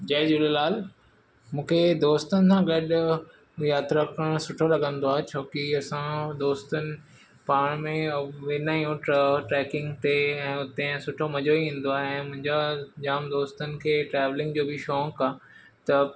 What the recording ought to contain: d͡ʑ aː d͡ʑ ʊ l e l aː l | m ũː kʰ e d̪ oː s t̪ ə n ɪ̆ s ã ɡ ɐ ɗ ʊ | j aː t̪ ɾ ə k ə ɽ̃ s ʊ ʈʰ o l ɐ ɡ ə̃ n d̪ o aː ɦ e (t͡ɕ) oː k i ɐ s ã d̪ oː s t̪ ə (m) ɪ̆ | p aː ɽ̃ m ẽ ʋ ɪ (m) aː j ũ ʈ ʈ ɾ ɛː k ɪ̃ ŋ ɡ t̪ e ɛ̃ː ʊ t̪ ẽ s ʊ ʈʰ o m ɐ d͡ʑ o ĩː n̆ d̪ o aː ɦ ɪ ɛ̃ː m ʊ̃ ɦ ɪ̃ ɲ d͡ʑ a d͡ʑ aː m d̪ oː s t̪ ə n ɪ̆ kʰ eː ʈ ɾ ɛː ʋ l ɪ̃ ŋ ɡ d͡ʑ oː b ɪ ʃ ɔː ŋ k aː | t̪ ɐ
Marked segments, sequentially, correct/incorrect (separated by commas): incorrect, incorrect, incorrect